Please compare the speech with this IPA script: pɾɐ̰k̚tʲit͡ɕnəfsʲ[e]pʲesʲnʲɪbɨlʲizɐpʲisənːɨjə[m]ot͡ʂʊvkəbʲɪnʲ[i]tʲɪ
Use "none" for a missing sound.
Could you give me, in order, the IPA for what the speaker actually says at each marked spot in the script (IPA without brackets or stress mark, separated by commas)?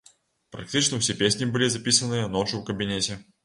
e, n, e